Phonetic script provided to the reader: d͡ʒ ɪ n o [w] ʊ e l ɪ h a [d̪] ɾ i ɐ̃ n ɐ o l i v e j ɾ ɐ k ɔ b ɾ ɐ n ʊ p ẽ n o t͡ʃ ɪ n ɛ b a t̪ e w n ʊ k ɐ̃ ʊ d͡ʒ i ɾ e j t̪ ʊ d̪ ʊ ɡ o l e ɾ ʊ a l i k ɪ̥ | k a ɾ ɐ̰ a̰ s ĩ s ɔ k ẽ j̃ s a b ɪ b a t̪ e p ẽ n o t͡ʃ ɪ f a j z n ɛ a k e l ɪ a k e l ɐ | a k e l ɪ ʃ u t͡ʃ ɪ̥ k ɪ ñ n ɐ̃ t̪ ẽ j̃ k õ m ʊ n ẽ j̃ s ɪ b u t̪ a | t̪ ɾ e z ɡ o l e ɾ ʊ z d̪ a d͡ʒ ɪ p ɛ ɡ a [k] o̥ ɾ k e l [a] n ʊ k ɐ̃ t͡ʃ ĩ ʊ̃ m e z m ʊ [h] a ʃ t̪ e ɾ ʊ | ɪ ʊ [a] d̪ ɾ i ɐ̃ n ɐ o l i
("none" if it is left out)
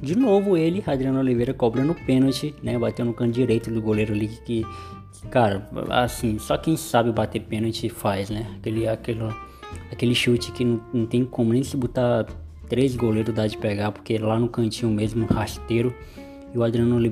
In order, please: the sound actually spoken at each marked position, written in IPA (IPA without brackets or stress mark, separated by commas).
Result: v, d̪, p, a, h, a